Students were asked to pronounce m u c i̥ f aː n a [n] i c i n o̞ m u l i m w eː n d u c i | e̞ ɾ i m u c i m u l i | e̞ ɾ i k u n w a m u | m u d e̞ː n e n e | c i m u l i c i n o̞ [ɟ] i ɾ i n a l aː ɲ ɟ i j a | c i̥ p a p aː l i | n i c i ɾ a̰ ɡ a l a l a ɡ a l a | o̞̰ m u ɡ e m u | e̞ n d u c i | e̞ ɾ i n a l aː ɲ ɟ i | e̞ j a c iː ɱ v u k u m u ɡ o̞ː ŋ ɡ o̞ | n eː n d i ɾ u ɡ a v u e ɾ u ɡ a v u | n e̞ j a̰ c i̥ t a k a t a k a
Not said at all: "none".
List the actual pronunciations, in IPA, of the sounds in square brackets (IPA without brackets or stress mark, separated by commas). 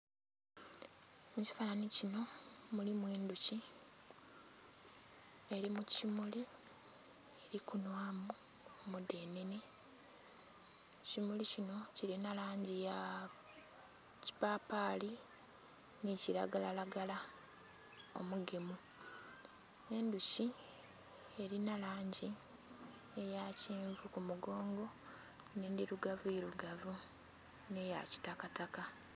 n, c